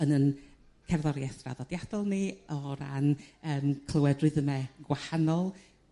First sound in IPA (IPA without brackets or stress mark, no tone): ə